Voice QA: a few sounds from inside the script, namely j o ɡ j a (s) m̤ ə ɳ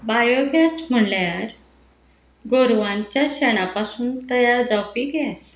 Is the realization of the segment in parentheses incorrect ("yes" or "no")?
no